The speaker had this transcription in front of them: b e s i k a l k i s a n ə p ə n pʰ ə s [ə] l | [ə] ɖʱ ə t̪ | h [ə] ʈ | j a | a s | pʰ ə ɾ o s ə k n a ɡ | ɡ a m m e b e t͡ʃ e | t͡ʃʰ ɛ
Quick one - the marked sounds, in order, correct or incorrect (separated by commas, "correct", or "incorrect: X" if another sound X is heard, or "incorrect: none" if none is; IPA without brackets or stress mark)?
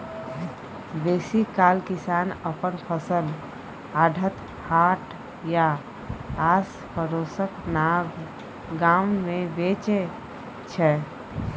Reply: correct, incorrect: a, incorrect: a